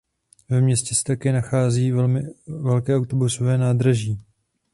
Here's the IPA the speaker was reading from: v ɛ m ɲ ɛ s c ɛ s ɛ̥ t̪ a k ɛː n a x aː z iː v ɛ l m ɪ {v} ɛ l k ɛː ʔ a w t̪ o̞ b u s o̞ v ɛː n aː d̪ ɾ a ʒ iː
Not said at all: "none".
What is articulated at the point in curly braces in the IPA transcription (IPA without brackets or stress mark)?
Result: v